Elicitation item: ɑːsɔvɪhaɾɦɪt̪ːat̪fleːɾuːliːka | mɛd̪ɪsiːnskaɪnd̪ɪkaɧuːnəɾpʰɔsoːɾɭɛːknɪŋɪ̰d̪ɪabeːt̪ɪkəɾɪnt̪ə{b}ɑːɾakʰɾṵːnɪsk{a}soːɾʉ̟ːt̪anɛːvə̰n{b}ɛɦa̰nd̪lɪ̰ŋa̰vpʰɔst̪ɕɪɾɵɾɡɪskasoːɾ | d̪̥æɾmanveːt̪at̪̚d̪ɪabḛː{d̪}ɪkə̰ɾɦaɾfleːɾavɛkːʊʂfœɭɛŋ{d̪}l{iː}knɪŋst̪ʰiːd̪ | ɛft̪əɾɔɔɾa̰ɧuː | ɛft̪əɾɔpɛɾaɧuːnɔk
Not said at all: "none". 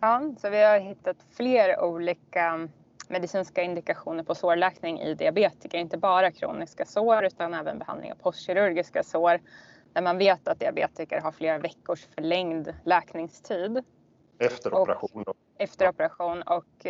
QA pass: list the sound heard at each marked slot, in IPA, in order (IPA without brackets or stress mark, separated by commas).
b, a, b, t̪, d̪, ɛː